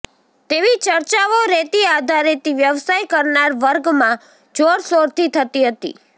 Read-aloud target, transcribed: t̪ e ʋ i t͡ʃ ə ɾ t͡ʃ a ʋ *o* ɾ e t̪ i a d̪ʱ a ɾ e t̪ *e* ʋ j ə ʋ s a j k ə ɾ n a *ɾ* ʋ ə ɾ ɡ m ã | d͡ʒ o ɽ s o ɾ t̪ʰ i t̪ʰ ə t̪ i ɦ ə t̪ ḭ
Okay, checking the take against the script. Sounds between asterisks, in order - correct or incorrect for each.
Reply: correct, incorrect: i, correct

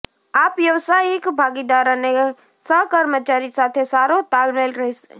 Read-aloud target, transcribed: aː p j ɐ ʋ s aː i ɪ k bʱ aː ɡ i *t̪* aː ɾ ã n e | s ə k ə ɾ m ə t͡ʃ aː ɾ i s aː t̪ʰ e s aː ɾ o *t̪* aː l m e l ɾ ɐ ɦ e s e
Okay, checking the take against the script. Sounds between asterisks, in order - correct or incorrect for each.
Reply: incorrect: d̪, correct

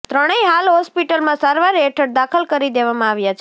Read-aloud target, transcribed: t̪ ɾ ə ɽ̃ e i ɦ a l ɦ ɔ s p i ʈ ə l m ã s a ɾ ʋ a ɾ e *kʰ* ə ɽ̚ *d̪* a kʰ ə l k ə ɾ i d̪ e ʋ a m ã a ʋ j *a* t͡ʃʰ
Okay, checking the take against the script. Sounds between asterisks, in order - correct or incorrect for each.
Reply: incorrect: ʈʰ, correct, correct

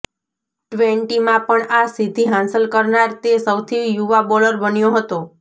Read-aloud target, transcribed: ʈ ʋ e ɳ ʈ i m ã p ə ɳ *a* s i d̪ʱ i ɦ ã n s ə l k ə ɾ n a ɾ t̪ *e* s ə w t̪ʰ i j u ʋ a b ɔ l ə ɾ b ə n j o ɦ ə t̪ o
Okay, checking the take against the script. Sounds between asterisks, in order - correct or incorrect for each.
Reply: correct, correct

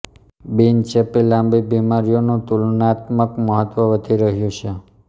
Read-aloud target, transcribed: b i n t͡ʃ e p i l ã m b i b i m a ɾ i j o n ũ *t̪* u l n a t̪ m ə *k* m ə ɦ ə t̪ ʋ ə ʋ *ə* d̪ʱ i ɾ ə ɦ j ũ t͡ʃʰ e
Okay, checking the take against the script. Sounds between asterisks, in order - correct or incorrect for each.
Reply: correct, correct, correct

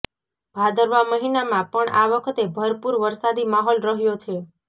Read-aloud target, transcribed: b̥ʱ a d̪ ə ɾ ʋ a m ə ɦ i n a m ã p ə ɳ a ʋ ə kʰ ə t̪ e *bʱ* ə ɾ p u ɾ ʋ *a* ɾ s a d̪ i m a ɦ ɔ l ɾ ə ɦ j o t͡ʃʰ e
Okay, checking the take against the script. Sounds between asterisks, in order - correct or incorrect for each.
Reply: correct, incorrect: ə

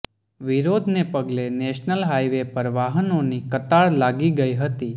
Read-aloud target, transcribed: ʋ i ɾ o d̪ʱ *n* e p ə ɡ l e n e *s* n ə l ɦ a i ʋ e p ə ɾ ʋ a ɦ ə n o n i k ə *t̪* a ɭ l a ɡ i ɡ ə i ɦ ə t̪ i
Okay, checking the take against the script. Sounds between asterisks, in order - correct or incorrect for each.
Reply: correct, incorrect: ʃ, correct

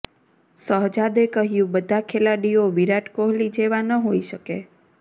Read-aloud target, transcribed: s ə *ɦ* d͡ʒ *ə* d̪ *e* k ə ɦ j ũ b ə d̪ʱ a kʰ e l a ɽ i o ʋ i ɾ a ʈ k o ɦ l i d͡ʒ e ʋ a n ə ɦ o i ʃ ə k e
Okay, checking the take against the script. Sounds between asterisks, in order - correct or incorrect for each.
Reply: correct, incorrect: a, correct

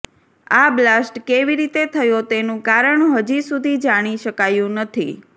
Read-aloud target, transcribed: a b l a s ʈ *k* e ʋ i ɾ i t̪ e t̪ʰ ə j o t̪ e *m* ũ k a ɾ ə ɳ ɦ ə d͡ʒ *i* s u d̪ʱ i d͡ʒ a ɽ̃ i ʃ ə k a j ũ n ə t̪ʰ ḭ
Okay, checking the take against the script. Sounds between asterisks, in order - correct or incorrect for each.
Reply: correct, incorrect: n, correct

